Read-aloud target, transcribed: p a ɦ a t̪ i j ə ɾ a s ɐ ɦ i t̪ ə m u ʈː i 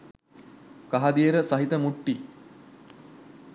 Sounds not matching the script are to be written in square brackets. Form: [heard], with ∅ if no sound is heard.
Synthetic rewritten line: [k] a ɦ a [d̪] i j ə ɾ [ə] s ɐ ɦ i t̪ ə m u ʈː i